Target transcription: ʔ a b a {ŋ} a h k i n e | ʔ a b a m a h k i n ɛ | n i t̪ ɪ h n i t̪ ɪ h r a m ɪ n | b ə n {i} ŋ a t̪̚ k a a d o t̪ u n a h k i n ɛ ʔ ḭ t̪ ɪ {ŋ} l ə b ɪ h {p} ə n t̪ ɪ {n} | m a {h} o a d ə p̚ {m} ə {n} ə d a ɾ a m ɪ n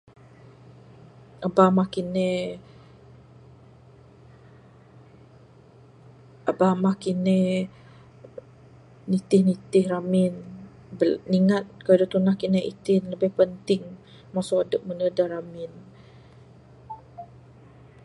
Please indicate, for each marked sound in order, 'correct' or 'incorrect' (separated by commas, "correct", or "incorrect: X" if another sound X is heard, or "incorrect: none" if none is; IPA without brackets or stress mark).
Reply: incorrect: m, correct, incorrect: n, correct, incorrect: ŋ, incorrect: s, correct, correct